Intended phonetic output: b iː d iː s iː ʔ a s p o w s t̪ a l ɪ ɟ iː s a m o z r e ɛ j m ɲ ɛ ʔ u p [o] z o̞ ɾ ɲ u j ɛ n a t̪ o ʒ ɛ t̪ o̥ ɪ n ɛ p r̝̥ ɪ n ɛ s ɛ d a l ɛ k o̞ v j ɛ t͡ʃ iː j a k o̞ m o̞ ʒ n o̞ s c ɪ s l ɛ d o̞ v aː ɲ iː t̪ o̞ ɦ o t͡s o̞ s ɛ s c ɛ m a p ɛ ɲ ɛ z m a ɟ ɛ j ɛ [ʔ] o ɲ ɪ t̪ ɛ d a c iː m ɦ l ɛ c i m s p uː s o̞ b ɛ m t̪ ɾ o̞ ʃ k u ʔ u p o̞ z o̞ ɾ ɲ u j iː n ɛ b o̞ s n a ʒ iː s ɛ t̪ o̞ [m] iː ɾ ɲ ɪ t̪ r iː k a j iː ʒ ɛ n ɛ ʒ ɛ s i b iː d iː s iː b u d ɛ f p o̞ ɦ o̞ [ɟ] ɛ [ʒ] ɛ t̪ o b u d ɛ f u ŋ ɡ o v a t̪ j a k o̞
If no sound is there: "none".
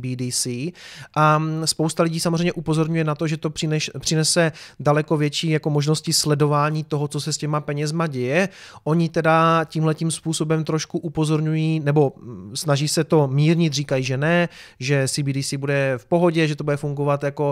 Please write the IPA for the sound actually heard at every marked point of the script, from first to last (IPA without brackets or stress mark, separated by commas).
o, ʔ, m, ɟ, ʒ